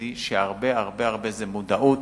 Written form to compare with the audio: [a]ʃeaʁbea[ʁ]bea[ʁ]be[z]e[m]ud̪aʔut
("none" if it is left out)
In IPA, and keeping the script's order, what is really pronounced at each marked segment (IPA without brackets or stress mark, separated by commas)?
i, ʁ, ʁ, z, m